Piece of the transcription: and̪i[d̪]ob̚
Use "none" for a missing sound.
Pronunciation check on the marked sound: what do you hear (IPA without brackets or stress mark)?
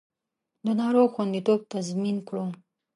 t̪